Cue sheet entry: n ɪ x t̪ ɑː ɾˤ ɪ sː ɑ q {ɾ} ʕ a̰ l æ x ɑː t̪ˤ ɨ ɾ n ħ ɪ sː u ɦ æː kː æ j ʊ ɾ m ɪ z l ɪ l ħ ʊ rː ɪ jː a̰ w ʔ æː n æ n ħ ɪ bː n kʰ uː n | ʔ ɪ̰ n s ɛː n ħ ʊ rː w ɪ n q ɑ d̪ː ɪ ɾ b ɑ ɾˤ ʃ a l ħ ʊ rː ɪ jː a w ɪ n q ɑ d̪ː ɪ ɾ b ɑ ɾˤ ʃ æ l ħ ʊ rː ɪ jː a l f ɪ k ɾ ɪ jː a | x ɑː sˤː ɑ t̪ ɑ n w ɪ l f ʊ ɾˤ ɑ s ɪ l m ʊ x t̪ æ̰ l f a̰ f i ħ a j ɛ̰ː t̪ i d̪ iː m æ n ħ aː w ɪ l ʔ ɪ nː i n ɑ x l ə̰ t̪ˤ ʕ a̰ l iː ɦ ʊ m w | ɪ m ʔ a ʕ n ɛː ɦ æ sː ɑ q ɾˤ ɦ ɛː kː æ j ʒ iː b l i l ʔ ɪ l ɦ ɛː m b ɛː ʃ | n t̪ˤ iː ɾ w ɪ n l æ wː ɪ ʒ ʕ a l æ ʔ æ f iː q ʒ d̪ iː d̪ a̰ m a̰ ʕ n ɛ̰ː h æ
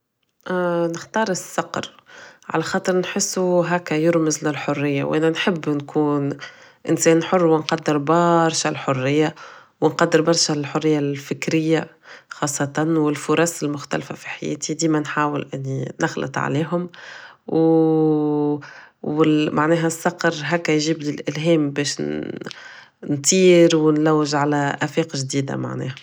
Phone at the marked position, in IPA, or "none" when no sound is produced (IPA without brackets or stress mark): ɾ